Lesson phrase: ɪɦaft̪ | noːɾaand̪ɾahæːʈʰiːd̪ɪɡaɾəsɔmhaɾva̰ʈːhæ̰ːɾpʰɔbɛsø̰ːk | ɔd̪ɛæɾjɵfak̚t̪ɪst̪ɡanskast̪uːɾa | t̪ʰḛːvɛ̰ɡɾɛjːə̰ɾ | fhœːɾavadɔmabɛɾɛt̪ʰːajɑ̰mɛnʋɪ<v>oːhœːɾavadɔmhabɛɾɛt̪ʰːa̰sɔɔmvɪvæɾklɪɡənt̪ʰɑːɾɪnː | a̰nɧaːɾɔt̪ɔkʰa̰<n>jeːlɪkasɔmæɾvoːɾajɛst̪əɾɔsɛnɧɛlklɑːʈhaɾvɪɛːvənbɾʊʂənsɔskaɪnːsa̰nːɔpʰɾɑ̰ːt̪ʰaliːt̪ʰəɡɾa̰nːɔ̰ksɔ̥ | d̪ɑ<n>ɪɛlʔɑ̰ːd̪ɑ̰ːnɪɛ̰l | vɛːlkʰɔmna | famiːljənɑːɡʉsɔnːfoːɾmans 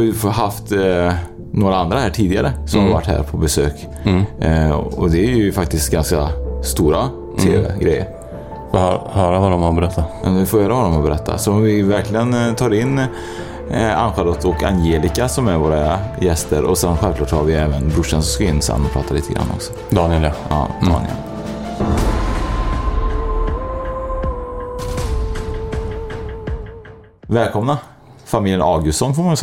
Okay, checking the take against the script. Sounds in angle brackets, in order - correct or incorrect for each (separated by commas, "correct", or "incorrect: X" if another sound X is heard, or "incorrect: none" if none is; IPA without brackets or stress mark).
incorrect: f, correct, correct